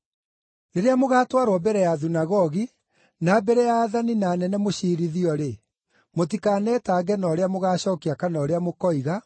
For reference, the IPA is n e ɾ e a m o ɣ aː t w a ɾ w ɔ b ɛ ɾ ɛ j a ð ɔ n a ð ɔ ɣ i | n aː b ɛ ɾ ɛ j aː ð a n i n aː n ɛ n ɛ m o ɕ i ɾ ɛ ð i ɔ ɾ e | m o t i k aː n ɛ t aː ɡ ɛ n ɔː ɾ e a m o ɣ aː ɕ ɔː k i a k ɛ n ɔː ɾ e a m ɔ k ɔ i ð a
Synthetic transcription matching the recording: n e ɾ e a m o ɣ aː t w a ɾ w ɔ b ɛ ɾ ɛ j a ð u n a ɣ ɔ ɣ i | n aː b ɛ ɾ ɛ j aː ð a n i n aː n ɛ n ɛ m o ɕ i ɾ i ð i ɔ ɾ e | m o t i k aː n ɛ t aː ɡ ɛ n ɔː ɾ e a m o ɣ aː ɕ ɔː k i a k a n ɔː ɾ e a m o k ɔ i ɣ a